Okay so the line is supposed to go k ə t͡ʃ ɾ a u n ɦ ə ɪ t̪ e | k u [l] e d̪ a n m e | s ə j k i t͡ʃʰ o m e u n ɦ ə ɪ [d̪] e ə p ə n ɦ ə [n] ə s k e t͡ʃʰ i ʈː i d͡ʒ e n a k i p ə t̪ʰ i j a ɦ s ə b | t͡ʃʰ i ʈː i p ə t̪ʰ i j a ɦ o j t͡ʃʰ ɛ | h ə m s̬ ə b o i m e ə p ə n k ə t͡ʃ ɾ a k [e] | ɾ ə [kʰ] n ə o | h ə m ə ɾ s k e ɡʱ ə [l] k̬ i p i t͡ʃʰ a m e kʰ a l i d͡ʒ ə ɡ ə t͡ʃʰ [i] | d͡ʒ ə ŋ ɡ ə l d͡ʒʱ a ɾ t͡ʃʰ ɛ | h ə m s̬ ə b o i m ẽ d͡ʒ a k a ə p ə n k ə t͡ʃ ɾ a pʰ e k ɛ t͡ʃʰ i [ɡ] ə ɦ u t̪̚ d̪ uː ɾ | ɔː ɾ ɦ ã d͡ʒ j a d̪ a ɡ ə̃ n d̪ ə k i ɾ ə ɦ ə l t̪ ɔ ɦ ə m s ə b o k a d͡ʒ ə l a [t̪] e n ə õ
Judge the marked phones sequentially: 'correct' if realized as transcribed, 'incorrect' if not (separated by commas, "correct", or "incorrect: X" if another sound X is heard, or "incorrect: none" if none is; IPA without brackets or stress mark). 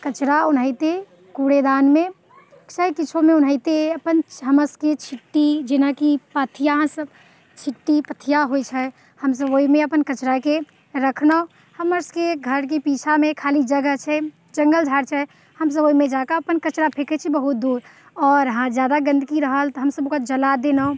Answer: incorrect: ɽ, incorrect: t̪, incorrect: m, correct, correct, incorrect: ɾ, incorrect: ɛ, incorrect: b, incorrect: d̪